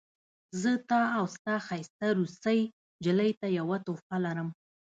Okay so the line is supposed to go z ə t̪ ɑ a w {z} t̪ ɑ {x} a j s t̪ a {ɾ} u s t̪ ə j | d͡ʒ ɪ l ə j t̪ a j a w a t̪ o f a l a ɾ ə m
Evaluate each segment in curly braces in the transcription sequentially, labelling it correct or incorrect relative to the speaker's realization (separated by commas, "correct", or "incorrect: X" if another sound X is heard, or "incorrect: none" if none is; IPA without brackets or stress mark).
incorrect: s, correct, correct